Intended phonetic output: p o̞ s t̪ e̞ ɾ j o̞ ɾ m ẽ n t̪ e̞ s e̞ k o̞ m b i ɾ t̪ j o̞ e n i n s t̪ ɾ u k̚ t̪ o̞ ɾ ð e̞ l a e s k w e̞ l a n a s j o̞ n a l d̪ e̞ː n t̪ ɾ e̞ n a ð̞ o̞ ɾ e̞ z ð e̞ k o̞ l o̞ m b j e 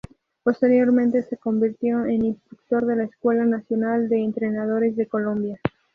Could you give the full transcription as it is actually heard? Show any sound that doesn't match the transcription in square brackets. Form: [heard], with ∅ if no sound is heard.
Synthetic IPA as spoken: p o̞ s t̪ e̞ ɾ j o̞ ɾ m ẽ n t̪ e̞ s e̞ k o̞ m b i ɾ t̪ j o̞ e n i n s t̪ ɾ u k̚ t̪ o̞ ɾ ð e̞ l a e s k w e̞ l a n a s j o̞ n a l d̪ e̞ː n t̪ ɾ e̞ n a ð̞ o̞ ɾ e̞ z ð e̞ k o̞ l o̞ m b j [a]